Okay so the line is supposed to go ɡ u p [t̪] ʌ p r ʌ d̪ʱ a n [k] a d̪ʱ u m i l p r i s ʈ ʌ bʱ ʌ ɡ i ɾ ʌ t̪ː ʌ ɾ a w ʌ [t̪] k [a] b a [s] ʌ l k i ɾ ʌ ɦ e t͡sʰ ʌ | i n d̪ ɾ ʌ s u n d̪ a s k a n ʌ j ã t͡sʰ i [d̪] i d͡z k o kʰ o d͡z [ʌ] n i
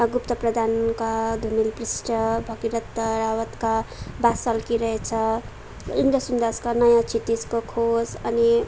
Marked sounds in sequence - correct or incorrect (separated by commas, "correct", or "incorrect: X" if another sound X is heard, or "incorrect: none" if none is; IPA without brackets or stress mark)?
correct, correct, correct, correct, correct, incorrect: t̪, correct